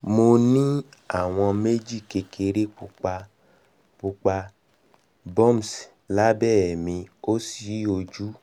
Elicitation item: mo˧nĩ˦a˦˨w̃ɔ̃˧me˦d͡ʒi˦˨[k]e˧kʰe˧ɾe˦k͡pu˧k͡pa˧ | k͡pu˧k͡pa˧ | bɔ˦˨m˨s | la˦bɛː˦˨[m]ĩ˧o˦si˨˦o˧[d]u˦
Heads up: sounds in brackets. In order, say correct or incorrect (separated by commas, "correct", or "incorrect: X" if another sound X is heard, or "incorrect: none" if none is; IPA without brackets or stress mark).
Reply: correct, correct, incorrect: d͡ʒ